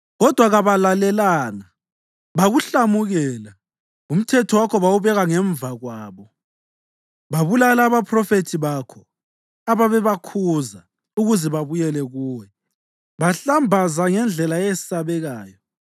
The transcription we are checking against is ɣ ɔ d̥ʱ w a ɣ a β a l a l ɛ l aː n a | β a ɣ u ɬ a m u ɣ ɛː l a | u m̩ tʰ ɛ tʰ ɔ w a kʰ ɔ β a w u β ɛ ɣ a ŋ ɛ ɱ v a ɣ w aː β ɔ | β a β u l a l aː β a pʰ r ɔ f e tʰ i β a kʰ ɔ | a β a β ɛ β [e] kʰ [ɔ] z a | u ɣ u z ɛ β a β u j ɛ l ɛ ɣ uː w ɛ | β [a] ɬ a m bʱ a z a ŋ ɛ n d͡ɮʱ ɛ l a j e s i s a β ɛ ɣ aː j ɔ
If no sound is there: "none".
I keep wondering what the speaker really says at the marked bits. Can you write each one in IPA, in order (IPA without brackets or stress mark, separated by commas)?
a, u, a